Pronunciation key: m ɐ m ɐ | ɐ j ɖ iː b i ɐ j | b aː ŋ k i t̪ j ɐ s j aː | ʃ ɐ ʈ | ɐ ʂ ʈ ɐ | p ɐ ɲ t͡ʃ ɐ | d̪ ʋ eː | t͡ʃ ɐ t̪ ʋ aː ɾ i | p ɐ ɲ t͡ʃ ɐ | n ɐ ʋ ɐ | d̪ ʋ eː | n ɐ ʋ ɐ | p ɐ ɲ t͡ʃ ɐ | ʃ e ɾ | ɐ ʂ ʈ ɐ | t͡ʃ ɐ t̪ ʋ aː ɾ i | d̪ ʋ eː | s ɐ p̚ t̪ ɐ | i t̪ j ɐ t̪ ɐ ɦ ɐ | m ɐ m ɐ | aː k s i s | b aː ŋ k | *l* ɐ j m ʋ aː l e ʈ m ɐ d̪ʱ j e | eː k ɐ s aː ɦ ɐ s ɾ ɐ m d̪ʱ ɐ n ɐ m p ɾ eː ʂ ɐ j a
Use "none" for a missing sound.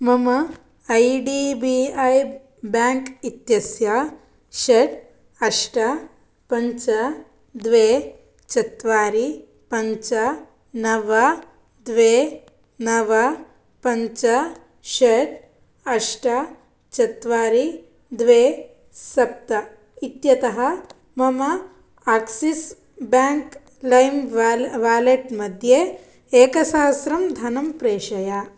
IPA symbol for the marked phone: l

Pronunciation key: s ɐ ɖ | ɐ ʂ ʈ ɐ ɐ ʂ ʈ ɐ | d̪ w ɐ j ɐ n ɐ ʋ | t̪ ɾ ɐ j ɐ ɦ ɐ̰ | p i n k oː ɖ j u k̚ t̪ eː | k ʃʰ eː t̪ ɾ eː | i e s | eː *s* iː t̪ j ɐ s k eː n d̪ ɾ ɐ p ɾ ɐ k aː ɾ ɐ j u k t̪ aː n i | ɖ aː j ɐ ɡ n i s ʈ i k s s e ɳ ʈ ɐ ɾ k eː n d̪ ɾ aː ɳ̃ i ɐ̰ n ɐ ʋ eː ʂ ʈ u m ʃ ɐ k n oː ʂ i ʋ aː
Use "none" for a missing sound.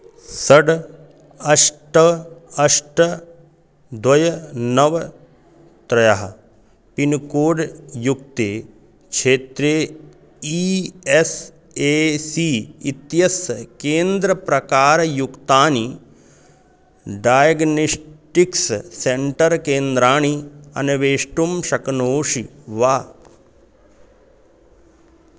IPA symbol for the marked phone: s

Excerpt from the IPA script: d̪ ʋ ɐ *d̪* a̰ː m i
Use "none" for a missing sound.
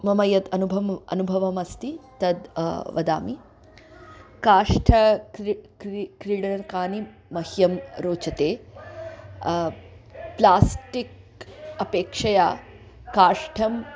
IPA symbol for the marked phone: d̪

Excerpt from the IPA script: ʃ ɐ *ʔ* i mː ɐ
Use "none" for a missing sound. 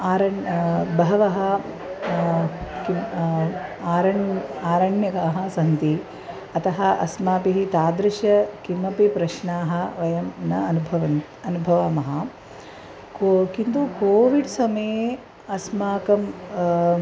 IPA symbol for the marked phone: k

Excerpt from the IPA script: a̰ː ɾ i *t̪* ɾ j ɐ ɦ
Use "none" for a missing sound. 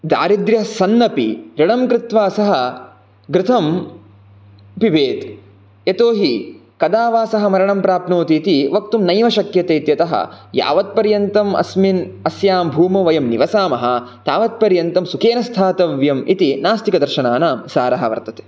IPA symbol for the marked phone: d̪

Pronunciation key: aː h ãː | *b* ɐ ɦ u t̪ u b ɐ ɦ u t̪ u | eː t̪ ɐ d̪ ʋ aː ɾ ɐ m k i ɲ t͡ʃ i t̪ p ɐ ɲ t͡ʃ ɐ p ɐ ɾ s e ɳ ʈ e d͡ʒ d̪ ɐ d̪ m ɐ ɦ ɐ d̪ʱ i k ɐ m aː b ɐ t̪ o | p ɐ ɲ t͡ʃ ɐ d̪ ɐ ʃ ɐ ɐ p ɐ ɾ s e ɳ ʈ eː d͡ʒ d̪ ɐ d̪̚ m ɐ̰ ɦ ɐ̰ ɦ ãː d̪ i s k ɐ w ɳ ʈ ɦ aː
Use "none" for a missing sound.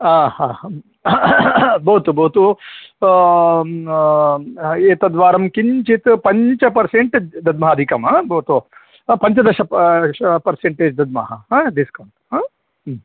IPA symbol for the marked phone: b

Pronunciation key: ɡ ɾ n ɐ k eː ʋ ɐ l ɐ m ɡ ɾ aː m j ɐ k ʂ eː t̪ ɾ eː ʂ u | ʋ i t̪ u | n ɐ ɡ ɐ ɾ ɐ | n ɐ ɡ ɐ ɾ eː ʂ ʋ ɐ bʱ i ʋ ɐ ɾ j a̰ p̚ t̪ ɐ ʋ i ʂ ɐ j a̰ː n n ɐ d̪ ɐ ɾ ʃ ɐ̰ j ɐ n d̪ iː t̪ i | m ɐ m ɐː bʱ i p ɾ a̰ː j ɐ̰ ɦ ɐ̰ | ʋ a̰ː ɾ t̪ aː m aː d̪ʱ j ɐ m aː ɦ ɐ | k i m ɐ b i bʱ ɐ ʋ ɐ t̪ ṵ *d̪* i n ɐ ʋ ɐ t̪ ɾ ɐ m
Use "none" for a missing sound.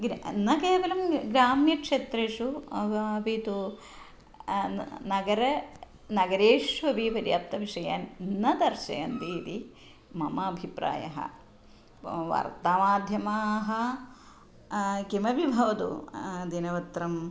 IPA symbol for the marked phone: d̪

